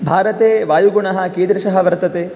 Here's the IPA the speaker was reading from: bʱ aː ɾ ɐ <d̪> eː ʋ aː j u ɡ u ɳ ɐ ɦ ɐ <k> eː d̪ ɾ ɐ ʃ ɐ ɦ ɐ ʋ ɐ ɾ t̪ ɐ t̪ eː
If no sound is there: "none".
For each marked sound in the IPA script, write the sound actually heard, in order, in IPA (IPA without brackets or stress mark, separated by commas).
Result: t̪, k